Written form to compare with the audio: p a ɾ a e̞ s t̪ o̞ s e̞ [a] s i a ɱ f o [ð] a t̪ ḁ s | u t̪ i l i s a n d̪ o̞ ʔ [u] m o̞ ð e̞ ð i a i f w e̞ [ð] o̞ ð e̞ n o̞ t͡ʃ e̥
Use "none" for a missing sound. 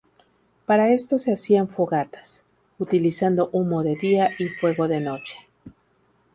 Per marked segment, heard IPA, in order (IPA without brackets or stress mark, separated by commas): a, ɣ, u, ɣ